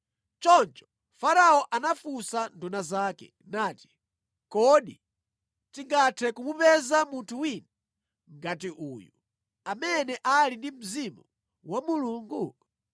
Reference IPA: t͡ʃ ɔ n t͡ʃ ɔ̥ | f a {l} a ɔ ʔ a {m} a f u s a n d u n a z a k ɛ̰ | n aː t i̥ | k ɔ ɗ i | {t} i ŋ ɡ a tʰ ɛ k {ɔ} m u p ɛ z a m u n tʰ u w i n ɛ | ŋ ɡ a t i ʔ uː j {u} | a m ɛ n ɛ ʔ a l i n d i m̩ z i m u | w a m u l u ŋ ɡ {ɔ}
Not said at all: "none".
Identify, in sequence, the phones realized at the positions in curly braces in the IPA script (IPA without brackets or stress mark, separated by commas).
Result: ɾ, n, t, u, u, u